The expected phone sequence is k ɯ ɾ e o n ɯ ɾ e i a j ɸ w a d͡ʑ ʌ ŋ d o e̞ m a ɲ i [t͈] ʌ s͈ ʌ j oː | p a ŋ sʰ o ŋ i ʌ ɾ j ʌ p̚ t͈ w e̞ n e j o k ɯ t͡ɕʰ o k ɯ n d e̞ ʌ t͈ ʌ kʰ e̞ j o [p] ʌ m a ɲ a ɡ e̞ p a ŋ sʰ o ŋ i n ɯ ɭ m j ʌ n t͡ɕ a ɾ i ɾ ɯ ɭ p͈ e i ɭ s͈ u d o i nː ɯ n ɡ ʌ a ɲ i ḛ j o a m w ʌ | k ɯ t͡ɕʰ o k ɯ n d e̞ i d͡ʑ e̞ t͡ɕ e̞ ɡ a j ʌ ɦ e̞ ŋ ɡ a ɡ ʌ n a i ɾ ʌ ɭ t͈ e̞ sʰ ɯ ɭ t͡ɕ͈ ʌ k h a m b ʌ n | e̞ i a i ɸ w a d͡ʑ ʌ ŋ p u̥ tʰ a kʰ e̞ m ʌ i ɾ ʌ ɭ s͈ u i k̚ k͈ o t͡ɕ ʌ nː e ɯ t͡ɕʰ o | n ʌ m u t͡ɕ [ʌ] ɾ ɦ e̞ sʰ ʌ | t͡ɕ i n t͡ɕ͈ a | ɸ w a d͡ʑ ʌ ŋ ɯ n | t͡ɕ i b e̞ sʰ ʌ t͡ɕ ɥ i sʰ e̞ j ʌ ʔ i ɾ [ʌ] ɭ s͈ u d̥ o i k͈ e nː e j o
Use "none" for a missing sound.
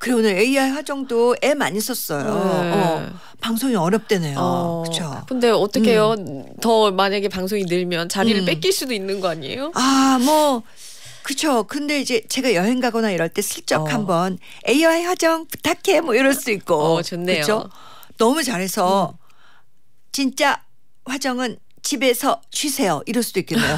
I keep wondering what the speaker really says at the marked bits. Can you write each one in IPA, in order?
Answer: s͈, t, a, ʌ

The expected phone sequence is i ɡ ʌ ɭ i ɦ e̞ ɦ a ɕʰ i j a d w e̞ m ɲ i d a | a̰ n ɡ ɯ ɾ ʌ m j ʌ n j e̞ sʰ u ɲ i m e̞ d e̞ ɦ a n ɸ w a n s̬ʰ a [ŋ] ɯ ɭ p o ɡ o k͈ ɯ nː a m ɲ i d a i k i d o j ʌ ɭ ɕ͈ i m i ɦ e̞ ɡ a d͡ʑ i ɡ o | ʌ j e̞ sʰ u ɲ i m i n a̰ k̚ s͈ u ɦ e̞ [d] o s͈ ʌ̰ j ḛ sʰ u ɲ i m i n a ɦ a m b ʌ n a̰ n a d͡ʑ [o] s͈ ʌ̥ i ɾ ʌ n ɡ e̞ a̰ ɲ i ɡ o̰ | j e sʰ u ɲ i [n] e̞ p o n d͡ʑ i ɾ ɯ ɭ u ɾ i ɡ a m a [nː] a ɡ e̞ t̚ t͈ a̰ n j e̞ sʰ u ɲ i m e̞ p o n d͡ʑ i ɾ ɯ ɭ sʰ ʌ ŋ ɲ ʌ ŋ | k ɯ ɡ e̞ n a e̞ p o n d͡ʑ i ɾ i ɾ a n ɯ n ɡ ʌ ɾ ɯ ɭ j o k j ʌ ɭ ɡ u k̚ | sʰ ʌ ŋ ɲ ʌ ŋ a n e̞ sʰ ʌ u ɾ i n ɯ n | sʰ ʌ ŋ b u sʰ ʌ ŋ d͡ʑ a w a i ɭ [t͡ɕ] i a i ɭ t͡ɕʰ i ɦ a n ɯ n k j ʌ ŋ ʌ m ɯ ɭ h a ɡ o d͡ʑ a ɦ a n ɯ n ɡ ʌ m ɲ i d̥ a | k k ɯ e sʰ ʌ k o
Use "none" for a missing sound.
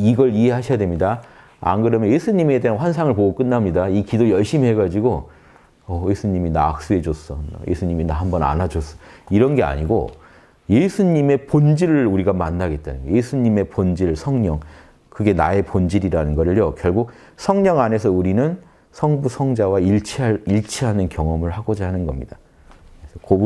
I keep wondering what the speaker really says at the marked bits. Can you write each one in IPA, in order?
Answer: ŋ, d͡ʑ, o, m, nː, t͡ɕʰ

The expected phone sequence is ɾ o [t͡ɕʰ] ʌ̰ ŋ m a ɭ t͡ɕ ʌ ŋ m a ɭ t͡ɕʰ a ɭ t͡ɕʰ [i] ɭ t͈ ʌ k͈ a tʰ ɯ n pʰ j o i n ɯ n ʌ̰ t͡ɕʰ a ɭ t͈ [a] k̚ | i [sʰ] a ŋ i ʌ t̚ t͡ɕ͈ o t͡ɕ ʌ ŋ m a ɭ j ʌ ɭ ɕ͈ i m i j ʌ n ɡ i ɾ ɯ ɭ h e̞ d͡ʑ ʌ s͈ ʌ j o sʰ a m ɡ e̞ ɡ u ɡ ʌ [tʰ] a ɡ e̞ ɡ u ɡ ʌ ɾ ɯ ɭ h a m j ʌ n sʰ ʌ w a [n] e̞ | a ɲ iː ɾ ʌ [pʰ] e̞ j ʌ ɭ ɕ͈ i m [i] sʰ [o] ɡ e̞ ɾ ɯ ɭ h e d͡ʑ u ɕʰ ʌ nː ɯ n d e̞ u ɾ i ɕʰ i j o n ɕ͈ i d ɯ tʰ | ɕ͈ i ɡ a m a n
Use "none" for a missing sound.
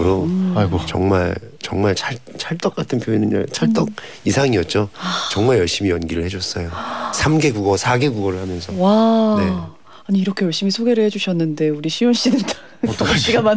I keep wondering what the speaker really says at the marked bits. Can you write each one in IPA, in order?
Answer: t͡ɕ, a, ʌ, sʰ, sʰ, n, kʰ, i, o

